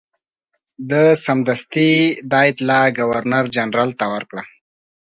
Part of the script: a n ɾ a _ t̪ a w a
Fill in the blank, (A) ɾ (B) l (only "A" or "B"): B